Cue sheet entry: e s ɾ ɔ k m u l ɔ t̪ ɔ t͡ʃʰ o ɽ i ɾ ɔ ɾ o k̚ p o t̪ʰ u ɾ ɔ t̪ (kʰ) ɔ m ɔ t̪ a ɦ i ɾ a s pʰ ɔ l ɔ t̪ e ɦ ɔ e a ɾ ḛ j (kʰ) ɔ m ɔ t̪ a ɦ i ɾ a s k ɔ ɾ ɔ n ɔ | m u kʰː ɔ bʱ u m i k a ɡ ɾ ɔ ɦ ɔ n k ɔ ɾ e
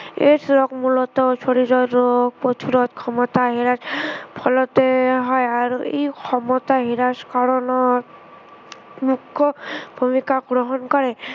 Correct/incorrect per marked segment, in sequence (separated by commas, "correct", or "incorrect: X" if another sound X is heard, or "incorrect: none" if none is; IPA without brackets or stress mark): correct, correct